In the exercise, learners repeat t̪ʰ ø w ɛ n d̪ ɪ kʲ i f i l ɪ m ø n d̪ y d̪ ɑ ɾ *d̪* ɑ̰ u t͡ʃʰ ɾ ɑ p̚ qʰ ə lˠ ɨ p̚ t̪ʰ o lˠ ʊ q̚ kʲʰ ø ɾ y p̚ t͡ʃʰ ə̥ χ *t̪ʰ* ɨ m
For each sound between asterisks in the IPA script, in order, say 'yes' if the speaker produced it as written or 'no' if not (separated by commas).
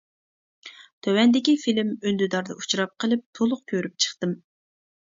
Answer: yes, no